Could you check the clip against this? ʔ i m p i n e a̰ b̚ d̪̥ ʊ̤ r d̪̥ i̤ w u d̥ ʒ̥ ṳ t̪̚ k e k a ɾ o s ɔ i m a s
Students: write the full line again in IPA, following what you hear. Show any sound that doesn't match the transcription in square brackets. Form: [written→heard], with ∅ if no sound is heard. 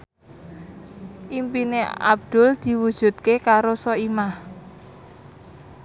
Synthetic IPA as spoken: ʔ i m p i n e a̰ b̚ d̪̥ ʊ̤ [r→l] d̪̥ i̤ w u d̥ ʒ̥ ṳ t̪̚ k e k a ɾ o s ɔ i m a [s→h]